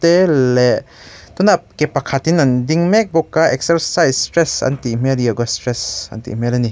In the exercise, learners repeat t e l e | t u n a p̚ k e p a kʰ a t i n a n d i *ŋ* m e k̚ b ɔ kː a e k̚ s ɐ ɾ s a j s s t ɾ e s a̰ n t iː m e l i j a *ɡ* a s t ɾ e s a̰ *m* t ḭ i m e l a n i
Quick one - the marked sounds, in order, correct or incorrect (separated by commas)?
correct, correct, incorrect